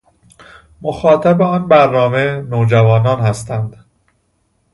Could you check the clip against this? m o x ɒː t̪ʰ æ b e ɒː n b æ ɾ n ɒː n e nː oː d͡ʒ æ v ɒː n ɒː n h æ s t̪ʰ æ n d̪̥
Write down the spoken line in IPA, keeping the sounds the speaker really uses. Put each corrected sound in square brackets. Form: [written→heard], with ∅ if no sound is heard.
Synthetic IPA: m o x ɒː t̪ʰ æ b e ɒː n b æ ɾ n ɒː [n→m] e [nː→n] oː d͡ʒ æ v ɒː n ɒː n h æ s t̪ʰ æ n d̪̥